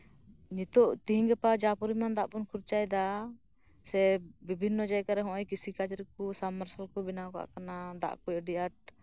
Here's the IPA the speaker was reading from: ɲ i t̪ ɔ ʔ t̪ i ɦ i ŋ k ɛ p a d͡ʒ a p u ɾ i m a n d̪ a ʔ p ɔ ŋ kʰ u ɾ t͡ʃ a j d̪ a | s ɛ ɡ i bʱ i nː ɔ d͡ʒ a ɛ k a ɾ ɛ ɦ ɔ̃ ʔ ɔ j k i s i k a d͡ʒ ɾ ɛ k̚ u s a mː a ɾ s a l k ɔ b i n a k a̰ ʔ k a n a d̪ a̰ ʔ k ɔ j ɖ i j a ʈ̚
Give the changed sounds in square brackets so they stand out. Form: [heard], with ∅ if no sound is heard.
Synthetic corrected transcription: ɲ i t̪ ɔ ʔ t̪ i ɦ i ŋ [ɡ] ɛ p a d͡ʒ a p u ɾ i m a n d̪ a ʔ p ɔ [n] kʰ u ɾ t͡ʃ a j d̪ a | s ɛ [b] i bʱ i nː ɔ d͡ʒ a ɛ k a ɾ ɛ ɦ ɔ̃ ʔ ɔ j k i s i k a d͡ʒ ɾ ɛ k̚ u s a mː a ɾ s a l k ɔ b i n a k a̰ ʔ k a n a d̪ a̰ ʔ k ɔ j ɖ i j a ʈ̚